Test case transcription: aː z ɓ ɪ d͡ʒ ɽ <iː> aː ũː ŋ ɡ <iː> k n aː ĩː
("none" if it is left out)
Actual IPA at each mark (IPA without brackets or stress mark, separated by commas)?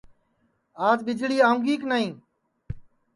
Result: iː, iː